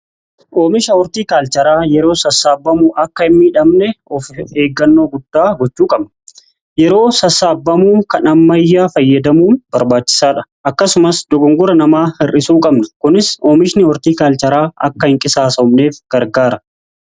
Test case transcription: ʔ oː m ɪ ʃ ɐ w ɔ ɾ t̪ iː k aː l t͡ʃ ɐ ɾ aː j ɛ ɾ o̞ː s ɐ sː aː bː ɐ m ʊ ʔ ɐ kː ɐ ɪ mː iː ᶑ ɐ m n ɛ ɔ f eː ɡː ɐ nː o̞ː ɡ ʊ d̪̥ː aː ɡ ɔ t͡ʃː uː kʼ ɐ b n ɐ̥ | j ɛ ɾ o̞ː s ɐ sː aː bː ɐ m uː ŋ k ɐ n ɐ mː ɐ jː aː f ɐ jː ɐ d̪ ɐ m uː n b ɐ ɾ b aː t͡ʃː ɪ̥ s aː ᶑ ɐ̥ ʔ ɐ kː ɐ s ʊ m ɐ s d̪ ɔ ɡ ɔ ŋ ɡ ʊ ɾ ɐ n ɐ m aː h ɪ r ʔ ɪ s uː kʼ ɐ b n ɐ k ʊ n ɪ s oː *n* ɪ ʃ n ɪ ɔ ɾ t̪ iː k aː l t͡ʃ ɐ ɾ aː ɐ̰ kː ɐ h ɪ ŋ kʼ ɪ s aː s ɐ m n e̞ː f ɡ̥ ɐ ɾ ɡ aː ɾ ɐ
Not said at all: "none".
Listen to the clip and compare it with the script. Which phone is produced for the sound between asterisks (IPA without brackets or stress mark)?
m